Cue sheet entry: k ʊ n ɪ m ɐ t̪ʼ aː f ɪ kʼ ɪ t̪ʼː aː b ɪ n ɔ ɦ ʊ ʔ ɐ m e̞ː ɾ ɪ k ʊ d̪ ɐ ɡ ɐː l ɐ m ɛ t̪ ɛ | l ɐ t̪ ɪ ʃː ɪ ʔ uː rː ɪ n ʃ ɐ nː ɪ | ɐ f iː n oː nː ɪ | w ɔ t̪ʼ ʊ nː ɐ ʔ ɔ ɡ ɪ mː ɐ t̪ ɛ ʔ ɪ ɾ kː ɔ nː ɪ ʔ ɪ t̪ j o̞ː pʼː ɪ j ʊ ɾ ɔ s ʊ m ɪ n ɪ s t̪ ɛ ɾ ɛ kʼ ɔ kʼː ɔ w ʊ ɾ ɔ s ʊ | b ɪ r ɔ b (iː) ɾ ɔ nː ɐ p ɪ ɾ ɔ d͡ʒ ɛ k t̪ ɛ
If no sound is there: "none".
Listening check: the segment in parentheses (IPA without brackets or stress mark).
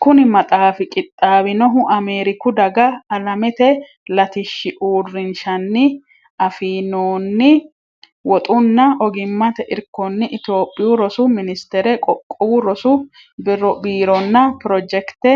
iː